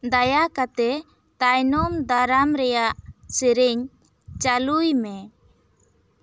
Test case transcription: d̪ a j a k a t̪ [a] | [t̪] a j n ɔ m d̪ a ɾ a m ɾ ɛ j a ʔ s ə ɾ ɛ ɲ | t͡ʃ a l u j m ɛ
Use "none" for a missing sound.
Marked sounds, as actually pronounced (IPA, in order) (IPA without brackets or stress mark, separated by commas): ɛ, t̪